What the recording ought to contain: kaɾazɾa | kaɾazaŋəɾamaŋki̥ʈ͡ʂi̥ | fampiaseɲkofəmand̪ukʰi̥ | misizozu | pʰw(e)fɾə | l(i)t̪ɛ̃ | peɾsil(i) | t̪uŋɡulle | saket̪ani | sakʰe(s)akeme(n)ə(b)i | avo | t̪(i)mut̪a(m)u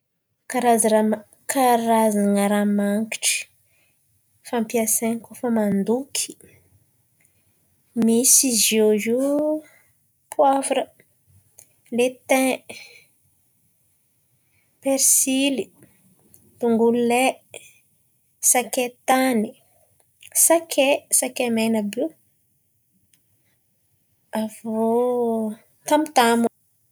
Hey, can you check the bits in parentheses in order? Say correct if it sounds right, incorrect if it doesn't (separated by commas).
incorrect, incorrect, correct, correct, correct, correct, incorrect, correct